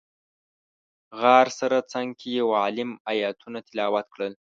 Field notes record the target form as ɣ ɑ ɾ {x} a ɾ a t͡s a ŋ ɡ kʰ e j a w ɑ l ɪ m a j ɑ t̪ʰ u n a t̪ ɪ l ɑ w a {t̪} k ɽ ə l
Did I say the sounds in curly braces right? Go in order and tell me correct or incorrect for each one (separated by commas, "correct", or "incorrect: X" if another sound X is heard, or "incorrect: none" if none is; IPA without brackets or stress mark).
incorrect: s, correct